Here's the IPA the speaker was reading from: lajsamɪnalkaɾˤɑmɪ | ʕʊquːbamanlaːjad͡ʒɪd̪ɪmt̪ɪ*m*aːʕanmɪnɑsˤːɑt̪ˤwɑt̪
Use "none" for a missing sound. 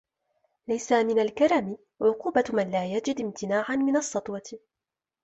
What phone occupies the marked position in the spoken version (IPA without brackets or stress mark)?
n